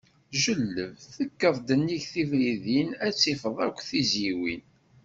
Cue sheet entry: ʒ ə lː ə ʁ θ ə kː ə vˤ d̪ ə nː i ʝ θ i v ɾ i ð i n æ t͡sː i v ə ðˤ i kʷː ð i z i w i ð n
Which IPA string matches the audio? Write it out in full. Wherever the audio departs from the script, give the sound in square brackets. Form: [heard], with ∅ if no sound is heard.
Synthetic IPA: ʒ ə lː ə [v] θ ə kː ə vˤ d̪ ə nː i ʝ θ i v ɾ i ð i n æ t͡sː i [f] ə ðˤ [æ] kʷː [θ] i z i w i [∅] n